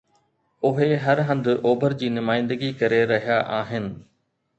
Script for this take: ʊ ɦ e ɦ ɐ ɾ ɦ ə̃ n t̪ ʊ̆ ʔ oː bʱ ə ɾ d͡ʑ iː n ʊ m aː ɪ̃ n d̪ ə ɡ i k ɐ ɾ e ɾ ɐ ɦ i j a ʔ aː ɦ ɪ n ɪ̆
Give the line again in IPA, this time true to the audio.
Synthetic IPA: ʊ ɦ e ɦ ɐ ɾ ɦ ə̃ n d̪ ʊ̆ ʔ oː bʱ ə ɾ d͡ʑ iː n ʊ m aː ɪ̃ n d̪ ə ɡ i k ɐ ɾ e ɾ ɐ ɦ i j a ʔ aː ɦ ɪ n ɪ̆